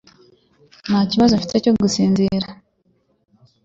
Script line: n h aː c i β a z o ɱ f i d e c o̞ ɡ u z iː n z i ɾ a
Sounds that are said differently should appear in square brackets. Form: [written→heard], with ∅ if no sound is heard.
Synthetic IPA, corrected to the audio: n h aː c i β a z o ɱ f i [d→t] e c o̞ ɡ u [z→s] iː n z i ɾ a